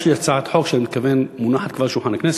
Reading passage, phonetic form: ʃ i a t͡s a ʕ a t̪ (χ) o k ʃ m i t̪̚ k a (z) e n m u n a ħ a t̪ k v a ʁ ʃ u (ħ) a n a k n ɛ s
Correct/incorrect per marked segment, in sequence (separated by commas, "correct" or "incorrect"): incorrect, incorrect, correct